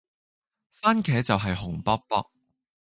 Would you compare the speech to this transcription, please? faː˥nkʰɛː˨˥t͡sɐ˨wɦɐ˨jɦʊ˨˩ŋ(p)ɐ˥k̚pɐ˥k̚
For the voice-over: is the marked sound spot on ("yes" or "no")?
yes